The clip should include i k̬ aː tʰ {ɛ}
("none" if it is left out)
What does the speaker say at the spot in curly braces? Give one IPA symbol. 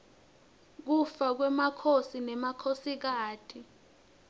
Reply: i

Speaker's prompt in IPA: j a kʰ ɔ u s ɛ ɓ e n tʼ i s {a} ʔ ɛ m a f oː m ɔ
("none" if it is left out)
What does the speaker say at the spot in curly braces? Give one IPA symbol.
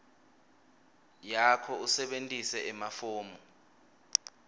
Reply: ɛ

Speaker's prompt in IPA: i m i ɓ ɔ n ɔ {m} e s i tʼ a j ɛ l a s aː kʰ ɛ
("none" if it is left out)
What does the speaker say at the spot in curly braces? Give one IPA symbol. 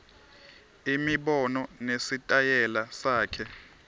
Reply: n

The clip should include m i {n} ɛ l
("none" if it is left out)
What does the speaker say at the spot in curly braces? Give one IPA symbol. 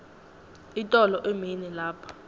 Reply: n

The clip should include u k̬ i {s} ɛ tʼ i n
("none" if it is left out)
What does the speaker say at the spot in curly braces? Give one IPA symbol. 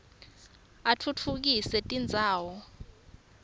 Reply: s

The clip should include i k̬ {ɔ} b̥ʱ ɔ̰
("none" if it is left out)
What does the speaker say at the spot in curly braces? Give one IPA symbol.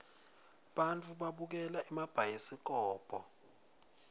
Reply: ɔː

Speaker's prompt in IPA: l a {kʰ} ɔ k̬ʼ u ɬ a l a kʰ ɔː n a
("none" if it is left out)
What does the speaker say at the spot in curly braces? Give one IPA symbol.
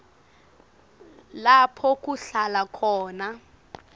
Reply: pʰ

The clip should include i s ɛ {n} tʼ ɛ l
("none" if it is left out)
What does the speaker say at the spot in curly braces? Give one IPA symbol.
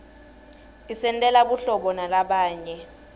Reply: n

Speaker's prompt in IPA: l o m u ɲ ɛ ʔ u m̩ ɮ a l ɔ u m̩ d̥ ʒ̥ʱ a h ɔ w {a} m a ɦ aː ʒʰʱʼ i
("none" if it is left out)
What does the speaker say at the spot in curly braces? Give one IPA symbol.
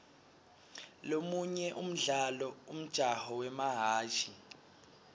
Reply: ɛ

